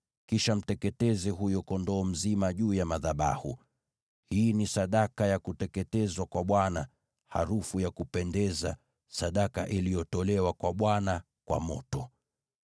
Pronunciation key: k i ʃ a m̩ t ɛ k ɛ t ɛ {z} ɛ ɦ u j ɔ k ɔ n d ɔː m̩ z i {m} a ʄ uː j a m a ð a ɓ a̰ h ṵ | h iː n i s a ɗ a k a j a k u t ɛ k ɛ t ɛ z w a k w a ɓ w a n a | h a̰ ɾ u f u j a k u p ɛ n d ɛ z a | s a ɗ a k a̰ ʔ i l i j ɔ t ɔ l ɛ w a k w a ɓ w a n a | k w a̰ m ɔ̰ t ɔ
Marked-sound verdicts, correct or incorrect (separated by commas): correct, correct